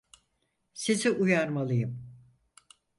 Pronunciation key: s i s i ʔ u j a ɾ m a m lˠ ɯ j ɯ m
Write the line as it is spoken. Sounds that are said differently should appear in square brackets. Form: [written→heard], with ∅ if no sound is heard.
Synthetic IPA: s i [s→z] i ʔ u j a ɾ m a [m→∅] lˠ ɯ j ɯ m